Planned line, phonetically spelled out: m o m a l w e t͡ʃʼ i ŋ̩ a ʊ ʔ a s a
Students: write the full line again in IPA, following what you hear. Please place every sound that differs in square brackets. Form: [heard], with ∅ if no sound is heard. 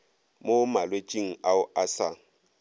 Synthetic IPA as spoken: m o m a l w e t͡ʃʼ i ŋ̩ a ʊ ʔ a s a